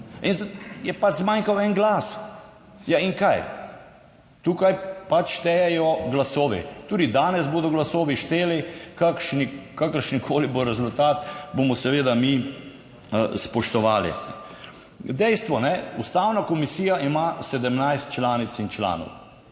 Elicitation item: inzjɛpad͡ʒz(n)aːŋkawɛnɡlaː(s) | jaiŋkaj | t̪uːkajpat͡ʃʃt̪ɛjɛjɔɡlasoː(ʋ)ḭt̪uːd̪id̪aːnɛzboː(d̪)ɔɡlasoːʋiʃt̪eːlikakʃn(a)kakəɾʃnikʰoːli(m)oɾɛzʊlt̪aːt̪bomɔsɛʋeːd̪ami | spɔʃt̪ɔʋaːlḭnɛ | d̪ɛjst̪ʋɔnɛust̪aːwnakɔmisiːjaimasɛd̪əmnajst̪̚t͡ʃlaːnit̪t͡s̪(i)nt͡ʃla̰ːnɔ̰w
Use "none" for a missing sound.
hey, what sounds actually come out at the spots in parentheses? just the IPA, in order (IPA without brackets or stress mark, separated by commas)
m, s, ʋ, d̪, i, b, i